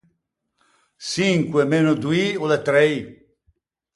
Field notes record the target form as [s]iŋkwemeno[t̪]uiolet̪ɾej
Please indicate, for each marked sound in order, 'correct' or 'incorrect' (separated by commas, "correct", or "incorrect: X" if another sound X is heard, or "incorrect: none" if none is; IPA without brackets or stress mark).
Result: correct, incorrect: d̪